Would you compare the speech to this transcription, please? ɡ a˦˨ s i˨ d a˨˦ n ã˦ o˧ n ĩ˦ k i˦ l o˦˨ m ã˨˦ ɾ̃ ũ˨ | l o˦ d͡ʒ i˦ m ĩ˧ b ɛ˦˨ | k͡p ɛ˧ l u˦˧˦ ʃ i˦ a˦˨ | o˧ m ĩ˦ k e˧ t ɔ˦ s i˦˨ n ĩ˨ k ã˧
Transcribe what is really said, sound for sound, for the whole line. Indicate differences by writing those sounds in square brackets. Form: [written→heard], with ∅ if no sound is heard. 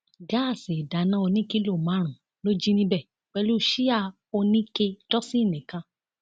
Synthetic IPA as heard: ɡ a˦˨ s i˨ d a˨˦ n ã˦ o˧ n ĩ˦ k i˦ l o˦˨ m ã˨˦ ɾ̃ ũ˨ | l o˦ d͡ʒ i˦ [m→n] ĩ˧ b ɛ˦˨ | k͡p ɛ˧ l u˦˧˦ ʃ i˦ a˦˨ | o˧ [m→n] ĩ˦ k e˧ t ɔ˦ s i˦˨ n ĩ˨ k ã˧

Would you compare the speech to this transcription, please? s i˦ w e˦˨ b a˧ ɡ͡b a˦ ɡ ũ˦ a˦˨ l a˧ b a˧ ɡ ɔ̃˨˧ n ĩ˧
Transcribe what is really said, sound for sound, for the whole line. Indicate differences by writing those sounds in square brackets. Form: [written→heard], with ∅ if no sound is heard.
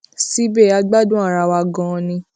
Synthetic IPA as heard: s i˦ [w→b] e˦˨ [b→∅] a˧ ɡ͡b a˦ [ɡ→d] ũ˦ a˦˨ [l→ɾ] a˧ [b→w] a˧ ɡ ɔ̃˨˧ n ĩ˧

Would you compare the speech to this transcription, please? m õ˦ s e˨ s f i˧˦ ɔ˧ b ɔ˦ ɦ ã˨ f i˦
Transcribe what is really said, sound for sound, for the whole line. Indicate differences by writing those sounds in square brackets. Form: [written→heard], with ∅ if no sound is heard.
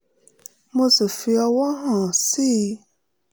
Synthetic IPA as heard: m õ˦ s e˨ [s→∅] f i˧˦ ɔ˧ [b→w] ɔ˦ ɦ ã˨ [f→s] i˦

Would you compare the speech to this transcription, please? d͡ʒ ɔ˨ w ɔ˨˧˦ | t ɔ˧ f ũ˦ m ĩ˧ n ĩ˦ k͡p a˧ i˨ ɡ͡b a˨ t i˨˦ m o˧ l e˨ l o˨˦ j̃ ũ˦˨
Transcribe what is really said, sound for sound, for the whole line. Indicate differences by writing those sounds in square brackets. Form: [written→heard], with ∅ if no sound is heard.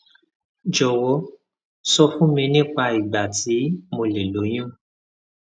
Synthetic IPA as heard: d͡ʒ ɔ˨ w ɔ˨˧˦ | [t→s] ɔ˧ f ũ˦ m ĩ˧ n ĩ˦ k͡p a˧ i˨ ɡ͡b a˨ t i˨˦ m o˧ l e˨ l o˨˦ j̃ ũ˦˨

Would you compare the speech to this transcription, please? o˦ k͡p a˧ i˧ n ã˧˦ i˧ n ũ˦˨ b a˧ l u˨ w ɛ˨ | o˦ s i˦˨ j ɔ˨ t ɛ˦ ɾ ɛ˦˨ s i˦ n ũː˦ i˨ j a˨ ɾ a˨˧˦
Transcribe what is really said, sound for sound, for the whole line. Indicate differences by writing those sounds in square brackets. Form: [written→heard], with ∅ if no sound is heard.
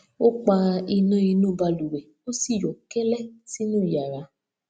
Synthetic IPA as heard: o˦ k͡p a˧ i˧ n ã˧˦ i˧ n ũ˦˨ b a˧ l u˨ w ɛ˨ | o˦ s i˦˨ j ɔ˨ [t→k] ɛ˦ [ɾ→l] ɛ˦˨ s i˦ n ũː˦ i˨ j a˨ ɾ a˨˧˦

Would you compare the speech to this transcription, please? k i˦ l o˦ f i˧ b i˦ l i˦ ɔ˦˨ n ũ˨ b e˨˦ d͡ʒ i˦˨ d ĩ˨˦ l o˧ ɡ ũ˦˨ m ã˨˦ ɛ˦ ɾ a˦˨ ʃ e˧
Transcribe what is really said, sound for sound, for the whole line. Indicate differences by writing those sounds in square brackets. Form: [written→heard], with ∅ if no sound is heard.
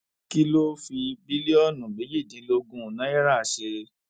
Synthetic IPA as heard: k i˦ l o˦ f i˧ b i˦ l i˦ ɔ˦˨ n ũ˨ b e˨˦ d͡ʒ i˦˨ d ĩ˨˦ l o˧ ɡ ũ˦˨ [m→n] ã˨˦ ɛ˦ ɾ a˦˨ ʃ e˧

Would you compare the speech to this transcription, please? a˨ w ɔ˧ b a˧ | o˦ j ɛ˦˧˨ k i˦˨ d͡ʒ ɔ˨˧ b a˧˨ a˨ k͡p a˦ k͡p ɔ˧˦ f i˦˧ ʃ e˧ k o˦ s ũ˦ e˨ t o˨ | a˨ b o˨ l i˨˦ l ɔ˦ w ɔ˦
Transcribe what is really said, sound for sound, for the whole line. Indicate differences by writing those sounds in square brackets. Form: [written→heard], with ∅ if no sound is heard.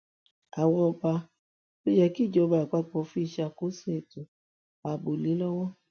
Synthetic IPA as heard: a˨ w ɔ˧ b a˧ | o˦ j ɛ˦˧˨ k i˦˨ d͡ʒ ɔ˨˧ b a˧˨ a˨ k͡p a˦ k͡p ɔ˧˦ f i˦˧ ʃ [e˧→a˧] k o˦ s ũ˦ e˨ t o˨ | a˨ b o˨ l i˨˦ l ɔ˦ w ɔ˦

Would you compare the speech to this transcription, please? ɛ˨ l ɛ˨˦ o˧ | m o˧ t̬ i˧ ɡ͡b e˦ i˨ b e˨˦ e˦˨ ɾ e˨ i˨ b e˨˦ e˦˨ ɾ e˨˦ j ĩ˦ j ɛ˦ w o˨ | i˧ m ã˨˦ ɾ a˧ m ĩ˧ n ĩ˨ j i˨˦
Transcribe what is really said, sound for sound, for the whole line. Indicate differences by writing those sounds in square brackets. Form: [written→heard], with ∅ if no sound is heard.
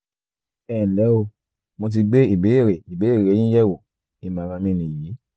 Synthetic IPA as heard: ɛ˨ l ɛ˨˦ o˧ | m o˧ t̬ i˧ ɡ͡b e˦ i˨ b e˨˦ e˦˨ ɾ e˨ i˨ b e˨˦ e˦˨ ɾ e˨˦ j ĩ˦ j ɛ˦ w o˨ | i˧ m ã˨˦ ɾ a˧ m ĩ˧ n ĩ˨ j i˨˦

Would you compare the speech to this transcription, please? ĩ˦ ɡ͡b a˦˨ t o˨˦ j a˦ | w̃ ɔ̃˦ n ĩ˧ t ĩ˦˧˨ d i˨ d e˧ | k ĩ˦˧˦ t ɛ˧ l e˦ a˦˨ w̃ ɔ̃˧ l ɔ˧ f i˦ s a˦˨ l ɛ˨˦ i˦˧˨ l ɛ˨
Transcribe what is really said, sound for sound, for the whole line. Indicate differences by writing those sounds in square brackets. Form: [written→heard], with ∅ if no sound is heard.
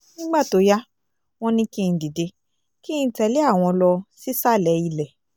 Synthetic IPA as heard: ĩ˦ ɡ͡b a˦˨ t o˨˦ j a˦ | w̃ ɔ̃˦ n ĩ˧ [t→k] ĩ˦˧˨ d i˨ d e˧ | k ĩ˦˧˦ t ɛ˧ l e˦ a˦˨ w̃ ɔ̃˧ l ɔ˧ [f→s] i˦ s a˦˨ l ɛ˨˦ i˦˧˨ l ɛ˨

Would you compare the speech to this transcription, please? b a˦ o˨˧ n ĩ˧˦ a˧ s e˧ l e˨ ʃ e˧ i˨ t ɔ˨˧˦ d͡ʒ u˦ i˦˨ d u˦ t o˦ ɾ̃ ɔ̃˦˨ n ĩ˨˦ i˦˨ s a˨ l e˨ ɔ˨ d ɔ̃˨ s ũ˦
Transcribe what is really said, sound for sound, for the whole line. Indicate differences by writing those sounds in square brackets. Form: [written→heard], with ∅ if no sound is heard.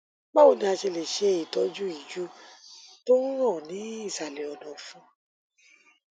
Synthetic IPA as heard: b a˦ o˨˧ n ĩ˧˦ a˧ [s→ʃ] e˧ l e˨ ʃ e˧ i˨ t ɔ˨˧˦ d͡ʒ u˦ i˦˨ [d→d͡ʒ] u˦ t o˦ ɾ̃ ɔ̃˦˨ n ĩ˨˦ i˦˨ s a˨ l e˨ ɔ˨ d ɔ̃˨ [s→f] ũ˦

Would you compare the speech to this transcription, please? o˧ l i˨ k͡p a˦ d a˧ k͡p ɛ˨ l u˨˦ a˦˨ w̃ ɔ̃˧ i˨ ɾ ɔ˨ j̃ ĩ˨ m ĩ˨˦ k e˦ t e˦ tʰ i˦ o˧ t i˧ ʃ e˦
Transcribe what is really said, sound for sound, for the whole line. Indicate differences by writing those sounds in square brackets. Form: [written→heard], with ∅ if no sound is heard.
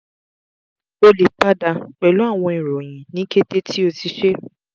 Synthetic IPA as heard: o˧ l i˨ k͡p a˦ d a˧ k͡p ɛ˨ l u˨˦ a˦˨ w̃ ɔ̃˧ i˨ ɾ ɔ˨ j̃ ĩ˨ [m→n] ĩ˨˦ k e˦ t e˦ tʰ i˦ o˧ t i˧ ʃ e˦

